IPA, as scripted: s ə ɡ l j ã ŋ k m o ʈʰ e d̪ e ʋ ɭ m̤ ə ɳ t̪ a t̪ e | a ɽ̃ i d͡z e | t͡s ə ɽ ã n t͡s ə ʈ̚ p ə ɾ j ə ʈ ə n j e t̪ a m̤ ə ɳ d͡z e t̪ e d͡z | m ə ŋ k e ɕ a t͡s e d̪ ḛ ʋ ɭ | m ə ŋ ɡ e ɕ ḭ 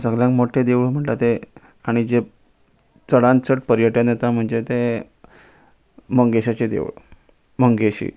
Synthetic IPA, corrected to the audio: s ə ɡ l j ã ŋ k m o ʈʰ e d̪ e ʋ ɭ m̤ ə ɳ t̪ a t̪ e | a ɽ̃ i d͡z e | t͡s ə ɽ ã n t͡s ə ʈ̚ p ə ɾ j ə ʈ ə n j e t̪ a m̤ ə ɳ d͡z e t̪ e | m ə ŋ ɡ e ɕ a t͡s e d̪ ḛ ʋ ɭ | m ə ŋ ɡ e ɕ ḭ